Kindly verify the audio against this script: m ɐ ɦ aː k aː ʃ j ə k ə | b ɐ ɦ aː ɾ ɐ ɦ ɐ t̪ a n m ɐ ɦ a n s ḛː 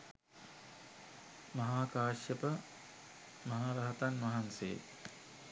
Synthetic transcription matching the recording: m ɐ ɦ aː k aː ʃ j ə p ə | m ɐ ɦ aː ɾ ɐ ɦ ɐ t̪ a n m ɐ ɦ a n s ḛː

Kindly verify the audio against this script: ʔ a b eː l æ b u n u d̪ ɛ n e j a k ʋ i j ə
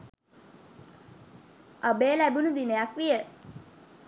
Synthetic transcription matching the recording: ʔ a b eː l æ b u n u d̪ i n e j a k ʋ i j ə

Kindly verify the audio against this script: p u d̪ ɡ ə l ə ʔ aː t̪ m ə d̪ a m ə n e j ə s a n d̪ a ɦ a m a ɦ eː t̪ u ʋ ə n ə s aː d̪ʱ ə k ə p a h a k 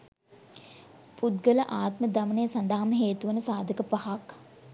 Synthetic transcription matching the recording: p u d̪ ɡ ə l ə ʔ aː t̪ m ə d̪ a m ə n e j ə s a n d̪ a ɦ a m ə ɦ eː t̪ u ʋ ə n ə s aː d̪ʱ ə k ə p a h a k

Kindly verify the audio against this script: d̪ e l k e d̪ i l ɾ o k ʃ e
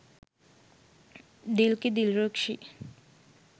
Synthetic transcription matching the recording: d̪ i l k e d̪ i l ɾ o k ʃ i

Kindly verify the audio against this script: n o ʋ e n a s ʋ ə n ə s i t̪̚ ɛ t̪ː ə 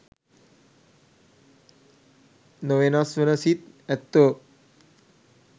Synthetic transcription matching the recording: n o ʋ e n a s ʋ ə n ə s i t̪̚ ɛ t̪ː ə

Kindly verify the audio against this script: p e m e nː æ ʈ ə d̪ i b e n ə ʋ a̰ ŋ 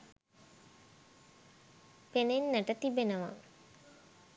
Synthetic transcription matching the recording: p e n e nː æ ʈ ə t̪ i b e n ə ʋ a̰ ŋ

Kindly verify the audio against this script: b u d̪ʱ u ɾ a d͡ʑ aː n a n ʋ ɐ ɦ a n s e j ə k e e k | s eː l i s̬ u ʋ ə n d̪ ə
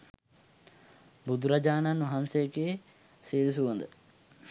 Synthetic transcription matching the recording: b u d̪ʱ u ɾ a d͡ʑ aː n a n ʋ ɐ ɦ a n s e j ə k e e | s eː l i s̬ u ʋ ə n d̪ ə

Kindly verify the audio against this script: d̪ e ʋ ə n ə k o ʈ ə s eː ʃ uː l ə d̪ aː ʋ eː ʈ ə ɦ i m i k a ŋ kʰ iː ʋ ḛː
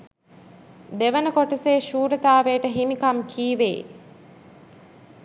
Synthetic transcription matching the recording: d̪ e ʋ ə n ə k o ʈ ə s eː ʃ uː ɾ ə t̪ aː ʋ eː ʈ ə ɦ i m i k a m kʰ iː ʋ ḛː

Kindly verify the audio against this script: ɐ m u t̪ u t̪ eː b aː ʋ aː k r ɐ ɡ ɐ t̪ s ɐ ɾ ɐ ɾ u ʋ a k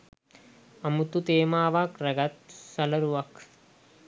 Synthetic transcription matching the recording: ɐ m u t̪ u t̪ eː m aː ʋ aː k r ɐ ɡ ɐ t̪ s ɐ l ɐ ɾ u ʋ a k

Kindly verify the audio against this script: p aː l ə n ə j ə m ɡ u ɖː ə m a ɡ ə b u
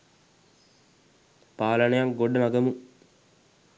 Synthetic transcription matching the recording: p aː l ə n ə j a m ɡ o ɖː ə m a ɡ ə m u

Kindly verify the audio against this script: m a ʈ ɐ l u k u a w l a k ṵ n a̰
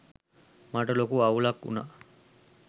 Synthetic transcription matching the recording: m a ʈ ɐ l o k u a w l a k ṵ n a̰

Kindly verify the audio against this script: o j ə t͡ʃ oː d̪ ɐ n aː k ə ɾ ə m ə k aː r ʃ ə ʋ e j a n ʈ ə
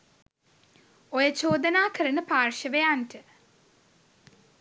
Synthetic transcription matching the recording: o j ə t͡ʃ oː d̪ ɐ n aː k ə ɾ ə n ə p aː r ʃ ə ʋ e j a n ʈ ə

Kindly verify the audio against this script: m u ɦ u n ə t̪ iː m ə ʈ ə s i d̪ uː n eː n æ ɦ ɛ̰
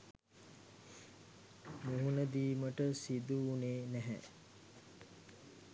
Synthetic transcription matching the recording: m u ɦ u n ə d̪ iː m ə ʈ ə s i d̪ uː n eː n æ ɦ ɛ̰

